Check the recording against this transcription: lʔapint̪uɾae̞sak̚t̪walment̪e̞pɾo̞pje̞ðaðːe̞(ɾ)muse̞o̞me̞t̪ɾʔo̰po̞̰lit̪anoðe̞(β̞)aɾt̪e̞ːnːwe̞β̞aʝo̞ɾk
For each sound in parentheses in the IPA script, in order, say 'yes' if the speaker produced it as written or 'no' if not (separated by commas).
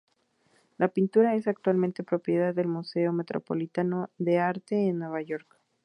no, no